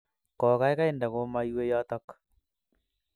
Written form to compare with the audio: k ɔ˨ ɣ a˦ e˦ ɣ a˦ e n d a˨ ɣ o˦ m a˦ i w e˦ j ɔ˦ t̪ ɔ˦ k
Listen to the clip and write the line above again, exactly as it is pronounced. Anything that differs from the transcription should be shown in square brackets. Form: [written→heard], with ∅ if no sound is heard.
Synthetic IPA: k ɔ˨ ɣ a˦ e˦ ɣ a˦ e n d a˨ ɣ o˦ m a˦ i w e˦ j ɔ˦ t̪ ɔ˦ k